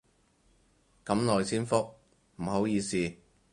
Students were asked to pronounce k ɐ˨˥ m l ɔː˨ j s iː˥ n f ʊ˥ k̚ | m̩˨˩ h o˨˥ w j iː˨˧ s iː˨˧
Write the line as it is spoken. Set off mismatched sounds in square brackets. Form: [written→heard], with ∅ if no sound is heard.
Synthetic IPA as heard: k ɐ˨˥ m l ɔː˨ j s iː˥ n f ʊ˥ k̚ | m̩˨˩ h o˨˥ w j iː˨˧ s iː˨˧